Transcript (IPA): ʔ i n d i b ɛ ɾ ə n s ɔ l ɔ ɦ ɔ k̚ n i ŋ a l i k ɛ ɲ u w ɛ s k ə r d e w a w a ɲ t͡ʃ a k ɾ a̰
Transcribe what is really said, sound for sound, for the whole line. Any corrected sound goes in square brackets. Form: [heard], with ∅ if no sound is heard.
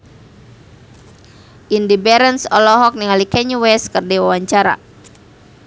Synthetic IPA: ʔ i n d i b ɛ ɾ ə n s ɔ l ɔ ɦ ɔ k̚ n i ŋ a l i k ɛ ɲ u w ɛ s k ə r d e w a w a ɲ t͡ʃ a [∅] ɾ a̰